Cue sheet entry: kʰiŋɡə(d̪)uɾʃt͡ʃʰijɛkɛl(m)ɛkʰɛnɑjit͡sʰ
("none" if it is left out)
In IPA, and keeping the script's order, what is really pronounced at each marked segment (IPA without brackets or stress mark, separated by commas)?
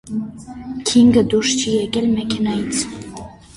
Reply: d̪, m